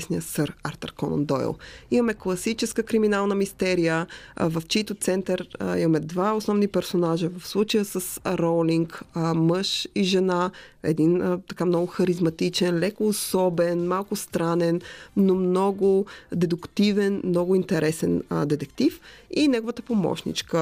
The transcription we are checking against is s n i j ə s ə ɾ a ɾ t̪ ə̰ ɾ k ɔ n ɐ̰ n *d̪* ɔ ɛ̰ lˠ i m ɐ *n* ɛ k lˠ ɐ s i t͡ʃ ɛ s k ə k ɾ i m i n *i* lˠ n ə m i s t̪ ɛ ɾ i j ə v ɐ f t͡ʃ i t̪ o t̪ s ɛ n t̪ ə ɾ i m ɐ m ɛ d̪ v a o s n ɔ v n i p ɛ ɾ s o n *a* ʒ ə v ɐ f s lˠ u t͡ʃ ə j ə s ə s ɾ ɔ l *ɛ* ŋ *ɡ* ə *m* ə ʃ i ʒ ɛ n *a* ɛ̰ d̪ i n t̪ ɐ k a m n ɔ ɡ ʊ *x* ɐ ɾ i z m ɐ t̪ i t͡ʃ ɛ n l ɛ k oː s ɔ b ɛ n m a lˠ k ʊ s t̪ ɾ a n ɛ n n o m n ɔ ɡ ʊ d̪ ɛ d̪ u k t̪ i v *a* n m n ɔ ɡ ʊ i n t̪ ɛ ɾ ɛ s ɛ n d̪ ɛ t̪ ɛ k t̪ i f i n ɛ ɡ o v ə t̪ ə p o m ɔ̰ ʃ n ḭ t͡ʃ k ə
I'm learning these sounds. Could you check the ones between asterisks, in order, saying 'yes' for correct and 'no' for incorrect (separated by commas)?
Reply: yes, no, no, yes, no, no, yes, yes, yes, no